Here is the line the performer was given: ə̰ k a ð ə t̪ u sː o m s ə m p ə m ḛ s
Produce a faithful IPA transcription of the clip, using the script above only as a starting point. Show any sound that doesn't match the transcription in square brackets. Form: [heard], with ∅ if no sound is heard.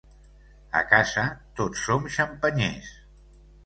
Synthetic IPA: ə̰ k a [z] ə t̪ [o] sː o m [ʃ] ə m p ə [ɲ] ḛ s

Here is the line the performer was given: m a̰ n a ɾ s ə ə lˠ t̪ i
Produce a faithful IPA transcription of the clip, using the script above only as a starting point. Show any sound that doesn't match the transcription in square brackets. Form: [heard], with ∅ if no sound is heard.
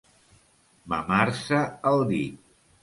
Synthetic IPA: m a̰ [m] a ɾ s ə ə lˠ [d̪] i

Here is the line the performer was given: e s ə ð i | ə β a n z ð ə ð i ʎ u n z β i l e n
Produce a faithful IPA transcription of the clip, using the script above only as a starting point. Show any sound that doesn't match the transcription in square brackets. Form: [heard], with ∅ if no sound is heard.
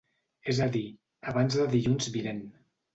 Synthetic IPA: e [z] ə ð i | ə β a n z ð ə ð i ʎ u n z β i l e n

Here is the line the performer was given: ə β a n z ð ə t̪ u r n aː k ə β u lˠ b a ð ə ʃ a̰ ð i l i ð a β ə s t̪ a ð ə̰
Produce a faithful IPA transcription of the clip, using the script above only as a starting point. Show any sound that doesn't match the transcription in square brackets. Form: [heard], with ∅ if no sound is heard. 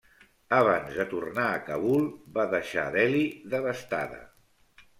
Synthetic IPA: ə β a n z ð ə t̪ u r n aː k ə β u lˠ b a ð ə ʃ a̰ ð [ɛ] l i ð [ə] β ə s t̪ a ð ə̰

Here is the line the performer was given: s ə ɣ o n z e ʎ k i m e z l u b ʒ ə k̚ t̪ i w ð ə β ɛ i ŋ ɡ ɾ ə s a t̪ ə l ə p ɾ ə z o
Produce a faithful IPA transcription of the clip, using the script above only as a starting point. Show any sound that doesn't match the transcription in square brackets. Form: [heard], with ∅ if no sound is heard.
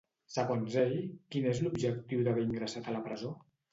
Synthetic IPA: s ə ɣ o n z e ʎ k i [n] e z l u b ʒ ə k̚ t̪ i w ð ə β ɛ i ŋ ɡ ɾ ə s a t̪ ə l ə p ɾ ə z o

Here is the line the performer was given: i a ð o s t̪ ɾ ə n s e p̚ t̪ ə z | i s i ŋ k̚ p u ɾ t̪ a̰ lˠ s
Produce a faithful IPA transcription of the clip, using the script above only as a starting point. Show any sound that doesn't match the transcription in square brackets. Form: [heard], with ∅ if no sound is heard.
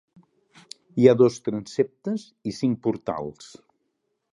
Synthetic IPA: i a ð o s t̪ ɾ ə n s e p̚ t̪ ə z | i s i ŋ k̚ p u ɾ t̪ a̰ lˠ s

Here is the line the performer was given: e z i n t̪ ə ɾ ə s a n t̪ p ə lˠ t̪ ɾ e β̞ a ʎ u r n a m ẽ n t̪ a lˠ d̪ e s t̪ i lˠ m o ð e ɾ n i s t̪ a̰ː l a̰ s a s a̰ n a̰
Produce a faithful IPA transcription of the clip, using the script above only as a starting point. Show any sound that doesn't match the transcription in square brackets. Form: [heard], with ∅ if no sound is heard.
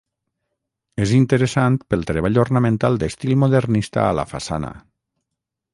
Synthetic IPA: e z i n t̪ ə ɾ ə s a n t̪ p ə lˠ t̪ ɾ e β̞ a ʎ [o] r n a m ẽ n t̪ a lˠ d̪ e s t̪ i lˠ m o ð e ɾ n i s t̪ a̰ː l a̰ [f] a s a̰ n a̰

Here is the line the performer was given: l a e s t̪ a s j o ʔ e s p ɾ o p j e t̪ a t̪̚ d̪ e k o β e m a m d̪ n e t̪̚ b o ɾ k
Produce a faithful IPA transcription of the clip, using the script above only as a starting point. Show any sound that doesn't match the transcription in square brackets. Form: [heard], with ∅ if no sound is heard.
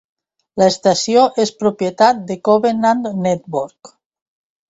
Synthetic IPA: l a e s t̪ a s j o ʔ e s p ɾ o p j e t̪ a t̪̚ d̪ e k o β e [n] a [n] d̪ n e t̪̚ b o ɾ k

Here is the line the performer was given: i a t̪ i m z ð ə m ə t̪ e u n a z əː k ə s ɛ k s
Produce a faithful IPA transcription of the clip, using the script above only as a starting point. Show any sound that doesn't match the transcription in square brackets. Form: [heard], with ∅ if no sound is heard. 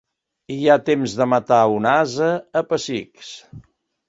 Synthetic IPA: i a t̪ [e] m z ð ə m ə t̪ [a] u n a z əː [p] ə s [i] k s

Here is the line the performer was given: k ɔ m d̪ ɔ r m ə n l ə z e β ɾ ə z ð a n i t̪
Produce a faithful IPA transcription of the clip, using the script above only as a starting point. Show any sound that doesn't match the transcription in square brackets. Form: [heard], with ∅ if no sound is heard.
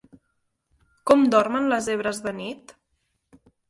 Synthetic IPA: k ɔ m d̪ ɔ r m ə n l ə z e β ɾ ə z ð [ə] n i t̪

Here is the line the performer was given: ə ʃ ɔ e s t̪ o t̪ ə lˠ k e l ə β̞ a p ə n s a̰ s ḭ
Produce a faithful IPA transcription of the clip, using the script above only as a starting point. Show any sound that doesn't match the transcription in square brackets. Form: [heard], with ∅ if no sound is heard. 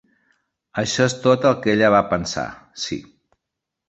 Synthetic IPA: ə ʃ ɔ e s t̪ o t̪ ə lˠ k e [ʎ] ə β̞ a p ə n s a̰ s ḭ

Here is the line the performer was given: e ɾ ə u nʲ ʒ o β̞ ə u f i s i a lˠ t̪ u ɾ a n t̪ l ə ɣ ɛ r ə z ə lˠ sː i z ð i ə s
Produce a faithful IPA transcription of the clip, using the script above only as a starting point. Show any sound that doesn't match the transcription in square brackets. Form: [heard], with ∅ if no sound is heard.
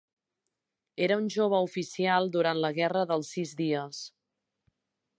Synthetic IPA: e ɾ ə u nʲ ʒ o β̞ ə u f i s i a lˠ [d̪] u ɾ a n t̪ l ə ɣ ɛ r ə [ð] ə lˠ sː i z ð i ə s

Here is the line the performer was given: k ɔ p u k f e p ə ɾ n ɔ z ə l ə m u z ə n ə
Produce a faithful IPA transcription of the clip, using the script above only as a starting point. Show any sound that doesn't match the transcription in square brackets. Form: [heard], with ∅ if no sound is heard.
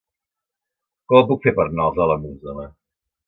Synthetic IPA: k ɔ p u k f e p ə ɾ n ɔ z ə l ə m u z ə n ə

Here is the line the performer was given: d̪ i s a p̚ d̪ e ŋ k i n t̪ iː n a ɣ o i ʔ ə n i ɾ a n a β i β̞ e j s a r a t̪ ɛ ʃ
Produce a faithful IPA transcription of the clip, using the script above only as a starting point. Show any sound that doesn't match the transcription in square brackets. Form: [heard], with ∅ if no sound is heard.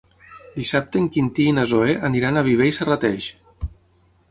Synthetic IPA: d̪ i s a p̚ [t̪] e ŋ k i n t̪ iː n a [z] o [e] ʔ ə n i ɾ a n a β i β̞ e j s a r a t̪ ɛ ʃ

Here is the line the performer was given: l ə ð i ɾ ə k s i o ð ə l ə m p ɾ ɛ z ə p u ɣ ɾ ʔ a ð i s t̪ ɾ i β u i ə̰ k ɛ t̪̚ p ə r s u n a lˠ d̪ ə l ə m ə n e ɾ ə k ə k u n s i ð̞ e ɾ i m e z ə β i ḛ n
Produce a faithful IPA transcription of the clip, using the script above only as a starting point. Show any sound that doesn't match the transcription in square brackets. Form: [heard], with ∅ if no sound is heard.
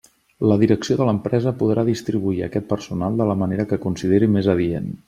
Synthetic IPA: l ə ð i ɾ ə k s i o ð ə l ə m p ɾ ɛ z ə p u [ð] ɾ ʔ a ð i s t̪ ɾ i β u i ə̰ k ɛ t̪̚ p ə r s u n a lˠ d̪ ə l ə m ə n e ɾ ə k ə k u n s i ð̞ e ɾ i m e z ə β i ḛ n

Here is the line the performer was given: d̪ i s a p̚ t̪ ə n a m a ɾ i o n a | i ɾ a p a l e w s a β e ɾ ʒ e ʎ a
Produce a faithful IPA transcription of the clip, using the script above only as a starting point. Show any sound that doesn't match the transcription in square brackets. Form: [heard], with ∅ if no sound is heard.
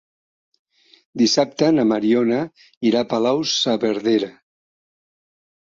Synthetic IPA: d̪ i s a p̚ t̪ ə n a m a ɾ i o n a | i ɾ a p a l [a] w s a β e ɾ [ð] e [ɾ] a

